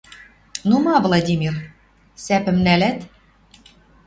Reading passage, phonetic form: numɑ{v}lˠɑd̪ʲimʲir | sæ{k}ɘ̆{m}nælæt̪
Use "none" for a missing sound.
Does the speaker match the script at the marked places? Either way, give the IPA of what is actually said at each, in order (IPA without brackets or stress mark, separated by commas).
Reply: v, p, m